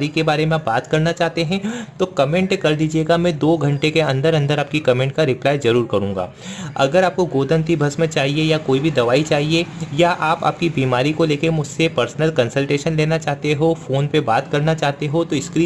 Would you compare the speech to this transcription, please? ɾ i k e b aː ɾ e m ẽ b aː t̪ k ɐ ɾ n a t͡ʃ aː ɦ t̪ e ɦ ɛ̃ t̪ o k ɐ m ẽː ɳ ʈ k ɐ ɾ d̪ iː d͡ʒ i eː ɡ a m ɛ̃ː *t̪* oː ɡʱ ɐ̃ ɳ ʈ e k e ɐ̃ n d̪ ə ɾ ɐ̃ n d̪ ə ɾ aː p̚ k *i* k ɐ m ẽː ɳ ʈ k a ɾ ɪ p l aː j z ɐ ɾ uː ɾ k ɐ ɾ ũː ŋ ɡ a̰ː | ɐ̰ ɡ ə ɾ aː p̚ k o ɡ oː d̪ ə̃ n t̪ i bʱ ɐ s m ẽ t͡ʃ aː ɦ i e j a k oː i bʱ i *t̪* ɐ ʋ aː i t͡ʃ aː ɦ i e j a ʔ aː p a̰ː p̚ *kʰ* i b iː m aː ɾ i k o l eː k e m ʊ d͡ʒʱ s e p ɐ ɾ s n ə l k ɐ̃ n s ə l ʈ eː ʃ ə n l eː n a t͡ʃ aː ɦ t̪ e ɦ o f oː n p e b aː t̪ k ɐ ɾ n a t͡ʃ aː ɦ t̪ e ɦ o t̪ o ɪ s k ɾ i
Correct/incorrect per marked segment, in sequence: incorrect: d̪, correct, incorrect: d̪, incorrect: k

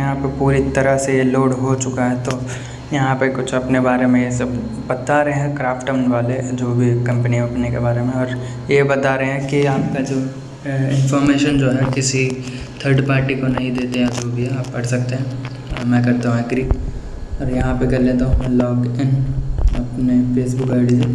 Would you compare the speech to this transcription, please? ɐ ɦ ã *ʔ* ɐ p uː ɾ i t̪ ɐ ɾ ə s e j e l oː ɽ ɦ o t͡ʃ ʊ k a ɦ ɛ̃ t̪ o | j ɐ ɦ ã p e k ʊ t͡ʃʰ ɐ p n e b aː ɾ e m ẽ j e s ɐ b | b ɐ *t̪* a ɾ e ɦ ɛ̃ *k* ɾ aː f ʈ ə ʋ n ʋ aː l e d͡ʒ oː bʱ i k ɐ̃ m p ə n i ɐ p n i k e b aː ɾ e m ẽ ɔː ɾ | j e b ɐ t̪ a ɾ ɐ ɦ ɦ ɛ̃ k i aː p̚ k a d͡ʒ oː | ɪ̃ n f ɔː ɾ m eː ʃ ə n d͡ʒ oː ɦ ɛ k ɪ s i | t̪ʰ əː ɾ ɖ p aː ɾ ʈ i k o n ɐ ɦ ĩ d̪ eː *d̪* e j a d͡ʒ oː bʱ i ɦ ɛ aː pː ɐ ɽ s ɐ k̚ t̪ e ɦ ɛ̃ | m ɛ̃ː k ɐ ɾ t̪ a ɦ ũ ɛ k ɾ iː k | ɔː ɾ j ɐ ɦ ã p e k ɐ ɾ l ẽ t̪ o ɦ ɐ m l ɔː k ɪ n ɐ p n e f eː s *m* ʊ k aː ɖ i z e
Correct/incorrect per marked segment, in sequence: incorrect: p, correct, correct, incorrect: t̪, incorrect: b

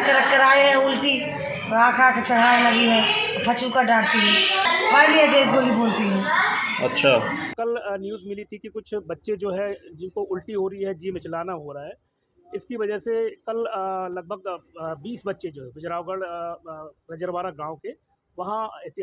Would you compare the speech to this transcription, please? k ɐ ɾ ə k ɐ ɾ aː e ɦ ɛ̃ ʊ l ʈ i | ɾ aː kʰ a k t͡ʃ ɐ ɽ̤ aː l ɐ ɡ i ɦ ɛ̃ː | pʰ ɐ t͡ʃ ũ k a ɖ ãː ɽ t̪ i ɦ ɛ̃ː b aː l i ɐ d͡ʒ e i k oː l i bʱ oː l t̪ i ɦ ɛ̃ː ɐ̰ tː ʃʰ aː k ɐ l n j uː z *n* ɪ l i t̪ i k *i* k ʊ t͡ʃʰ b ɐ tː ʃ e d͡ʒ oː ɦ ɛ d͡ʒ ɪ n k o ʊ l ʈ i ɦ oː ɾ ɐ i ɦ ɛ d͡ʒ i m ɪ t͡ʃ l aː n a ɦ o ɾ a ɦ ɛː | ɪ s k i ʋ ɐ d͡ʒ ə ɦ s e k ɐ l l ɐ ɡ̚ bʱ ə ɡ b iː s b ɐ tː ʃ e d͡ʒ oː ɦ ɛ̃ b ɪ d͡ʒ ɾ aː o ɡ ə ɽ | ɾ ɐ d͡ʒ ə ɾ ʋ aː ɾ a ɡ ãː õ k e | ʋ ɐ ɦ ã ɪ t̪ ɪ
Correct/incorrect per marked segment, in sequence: incorrect: m, correct

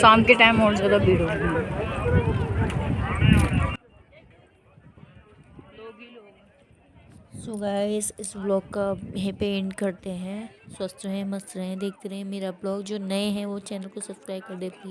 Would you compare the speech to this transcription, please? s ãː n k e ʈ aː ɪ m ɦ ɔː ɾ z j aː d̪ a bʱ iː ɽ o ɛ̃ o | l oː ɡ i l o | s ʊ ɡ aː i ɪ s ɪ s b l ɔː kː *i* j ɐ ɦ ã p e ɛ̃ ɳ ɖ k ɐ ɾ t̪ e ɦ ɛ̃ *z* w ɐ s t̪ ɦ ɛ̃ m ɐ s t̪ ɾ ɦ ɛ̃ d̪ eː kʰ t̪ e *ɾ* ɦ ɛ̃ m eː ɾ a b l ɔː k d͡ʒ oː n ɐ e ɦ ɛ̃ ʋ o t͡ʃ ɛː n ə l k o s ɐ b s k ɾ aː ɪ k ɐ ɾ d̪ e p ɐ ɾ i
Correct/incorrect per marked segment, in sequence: incorrect: a, incorrect: s, correct

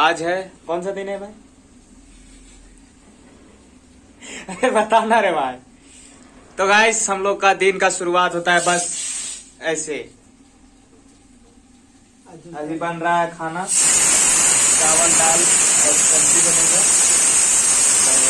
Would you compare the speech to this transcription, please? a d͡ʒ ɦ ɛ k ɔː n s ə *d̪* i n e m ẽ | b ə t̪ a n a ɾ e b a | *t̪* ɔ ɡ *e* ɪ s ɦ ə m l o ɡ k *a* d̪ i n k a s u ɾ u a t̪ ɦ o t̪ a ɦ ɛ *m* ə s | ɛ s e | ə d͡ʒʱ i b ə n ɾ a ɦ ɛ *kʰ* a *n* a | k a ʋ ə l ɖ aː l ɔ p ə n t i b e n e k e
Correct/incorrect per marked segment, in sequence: correct, correct, incorrect: a, correct, incorrect: b, correct, correct

